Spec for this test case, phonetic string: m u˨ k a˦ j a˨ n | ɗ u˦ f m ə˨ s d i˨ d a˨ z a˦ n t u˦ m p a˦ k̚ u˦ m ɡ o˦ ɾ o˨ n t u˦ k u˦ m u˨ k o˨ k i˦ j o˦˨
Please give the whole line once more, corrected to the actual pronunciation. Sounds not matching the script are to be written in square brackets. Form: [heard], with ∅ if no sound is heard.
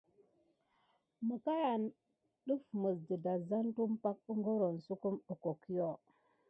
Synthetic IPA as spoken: m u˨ k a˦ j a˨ n | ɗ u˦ f m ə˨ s d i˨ d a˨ z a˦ n t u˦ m p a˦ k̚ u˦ [ŋ] ɡ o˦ ɾ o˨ n [s] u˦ k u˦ m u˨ k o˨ k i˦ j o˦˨